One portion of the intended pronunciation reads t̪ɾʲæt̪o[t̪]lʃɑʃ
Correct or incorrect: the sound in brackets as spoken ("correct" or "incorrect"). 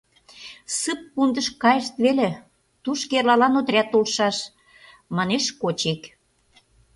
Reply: incorrect